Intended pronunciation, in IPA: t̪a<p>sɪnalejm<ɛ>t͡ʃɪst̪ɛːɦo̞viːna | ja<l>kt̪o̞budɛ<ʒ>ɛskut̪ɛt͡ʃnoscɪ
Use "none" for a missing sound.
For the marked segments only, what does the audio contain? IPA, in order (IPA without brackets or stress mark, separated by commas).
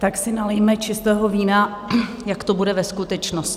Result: k, ɛ, none, v